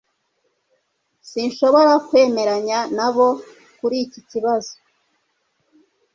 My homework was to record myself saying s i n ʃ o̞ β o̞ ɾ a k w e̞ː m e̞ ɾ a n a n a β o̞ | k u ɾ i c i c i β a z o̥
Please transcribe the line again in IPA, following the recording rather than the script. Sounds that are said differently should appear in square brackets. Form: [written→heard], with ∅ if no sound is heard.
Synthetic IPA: s i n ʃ o̞ β o̞ ɾ a k w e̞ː m e̞ ɾ a [n→ɲ] a n a β o̞ | k u ɾ i c i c i β a z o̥

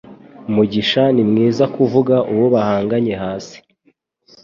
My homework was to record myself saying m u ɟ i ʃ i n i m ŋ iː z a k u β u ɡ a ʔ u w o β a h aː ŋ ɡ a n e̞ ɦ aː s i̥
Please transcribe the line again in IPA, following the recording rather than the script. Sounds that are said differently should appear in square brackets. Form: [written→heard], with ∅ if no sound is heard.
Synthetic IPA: m u ɟ i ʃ [i→a] n i m ŋ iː z a k u [β→v] u ɡ a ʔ u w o β a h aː ŋ ɡ a [n→ɲ] e̞ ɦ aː s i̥

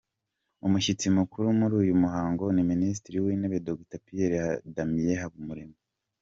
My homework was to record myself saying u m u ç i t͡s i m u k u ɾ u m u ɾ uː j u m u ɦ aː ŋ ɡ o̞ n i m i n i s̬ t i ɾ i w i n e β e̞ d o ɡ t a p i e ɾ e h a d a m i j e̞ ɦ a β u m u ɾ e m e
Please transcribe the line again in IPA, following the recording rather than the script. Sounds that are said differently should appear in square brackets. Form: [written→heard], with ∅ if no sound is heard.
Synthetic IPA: u m u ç i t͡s i m u k u ɾ u m u ɾ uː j u m u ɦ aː ŋ ɡ o̞ n i m i n i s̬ t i ɾ i w i n e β e̞ d o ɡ t a p i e ɾ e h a d a m i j e̞ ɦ a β u m u ɾ e m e

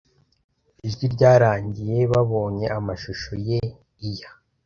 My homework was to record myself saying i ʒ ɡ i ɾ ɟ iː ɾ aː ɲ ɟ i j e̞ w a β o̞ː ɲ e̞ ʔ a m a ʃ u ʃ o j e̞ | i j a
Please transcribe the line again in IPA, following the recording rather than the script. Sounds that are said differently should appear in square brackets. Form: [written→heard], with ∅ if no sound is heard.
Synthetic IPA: i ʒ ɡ i ɾ ɟ [iː→aː] ɾ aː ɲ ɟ i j e̞ [w→β] a β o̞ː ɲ e̞ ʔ a m a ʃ u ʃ o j e̞ | i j a

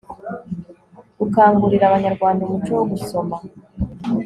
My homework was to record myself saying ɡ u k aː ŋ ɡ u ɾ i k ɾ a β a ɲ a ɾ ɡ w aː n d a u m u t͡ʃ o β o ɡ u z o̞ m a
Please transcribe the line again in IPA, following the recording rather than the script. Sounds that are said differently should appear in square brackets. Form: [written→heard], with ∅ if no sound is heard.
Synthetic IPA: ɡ u k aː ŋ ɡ u ɾ i [k→∅] ɾ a β a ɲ a ɾ ɡ w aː n d a u m u t͡ʃ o [β→w] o ɡ u [z→s] o̞ m a

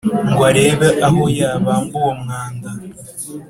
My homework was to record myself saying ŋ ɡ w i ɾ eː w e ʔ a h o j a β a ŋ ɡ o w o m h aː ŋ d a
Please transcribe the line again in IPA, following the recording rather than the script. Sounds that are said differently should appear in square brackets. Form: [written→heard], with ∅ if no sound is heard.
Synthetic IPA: ŋ ɡ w [i→a] ɾ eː [w→β] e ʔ a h o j a β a ŋ ɡ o w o m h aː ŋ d a

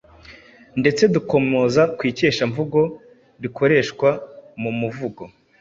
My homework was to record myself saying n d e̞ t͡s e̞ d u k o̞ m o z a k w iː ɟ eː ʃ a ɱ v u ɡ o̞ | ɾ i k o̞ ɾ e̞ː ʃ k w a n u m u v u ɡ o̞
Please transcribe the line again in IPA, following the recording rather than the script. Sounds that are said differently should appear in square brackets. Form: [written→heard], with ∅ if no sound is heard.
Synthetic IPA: n d e̞ t͡s e̞ d u k o̞ m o z a k w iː [ɟ→c] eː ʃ a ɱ v u ɡ o̞ | ɾ i k o̞ ɾ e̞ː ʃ k w a [n→m] u m u v u ɡ o̞

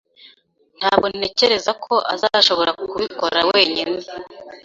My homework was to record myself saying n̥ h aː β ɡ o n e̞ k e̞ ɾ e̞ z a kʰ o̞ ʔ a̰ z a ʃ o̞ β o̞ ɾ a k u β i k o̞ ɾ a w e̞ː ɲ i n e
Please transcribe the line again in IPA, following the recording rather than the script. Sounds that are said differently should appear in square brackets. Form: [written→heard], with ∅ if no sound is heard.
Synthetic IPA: n̥ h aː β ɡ o n e̞ [k→c] e̞ ɾ e̞ z a kʰ o̞ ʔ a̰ z a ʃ o̞ β o̞ ɾ a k u β i k o̞ ɾ a w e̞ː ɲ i n e

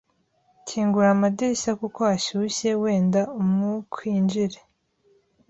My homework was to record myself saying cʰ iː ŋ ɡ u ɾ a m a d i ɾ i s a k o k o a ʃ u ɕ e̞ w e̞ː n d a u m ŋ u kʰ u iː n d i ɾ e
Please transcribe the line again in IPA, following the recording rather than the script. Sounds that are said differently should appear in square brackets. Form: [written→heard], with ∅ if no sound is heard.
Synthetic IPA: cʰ iː ŋ ɡ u ɾ a m a d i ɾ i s a k [o→u] k o a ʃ u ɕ e̞ w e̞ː n d a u m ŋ u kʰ [u→w] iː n [d→d͡ʒ] i ɾ e

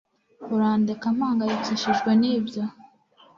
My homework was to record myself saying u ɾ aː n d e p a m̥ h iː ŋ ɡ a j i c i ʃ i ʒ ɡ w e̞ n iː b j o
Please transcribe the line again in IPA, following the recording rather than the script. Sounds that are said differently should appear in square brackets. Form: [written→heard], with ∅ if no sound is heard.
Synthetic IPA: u ɾ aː n d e [p→k] a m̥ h [iː→aː] ŋ ɡ a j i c i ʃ i ʒ ɡ w e̞ n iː b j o

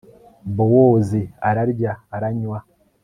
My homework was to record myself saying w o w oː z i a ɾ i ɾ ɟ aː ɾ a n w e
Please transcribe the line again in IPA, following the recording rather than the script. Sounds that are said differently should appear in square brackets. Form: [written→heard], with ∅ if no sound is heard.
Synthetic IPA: [w→b] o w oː z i a ɾ [i→a] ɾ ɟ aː ɾ a [n→ɲ] w [e→a]

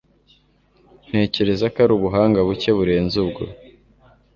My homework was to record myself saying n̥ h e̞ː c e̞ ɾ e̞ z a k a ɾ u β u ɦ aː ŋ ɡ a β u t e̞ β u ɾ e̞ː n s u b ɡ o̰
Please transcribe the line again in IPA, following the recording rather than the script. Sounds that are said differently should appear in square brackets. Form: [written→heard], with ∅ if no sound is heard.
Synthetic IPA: n̥ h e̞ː c e̞ ɾ e̞ z a k a ɾ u β u ɦ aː ŋ ɡ a β u [t→c] e̞ β u ɾ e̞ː n [s→z] u b ɡ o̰

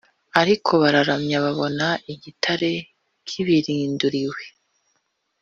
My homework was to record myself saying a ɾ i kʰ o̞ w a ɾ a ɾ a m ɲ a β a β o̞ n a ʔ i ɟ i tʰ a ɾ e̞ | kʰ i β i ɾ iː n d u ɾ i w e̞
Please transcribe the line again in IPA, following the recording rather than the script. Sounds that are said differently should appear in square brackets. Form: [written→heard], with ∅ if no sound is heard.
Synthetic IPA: a ɾ i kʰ o̞ [w→β] a ɾ a ɾ a m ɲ a β a β o̞ n a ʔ i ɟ i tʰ a ɾ e̞ | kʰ i β i ɾ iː n d u ɾ i w e̞

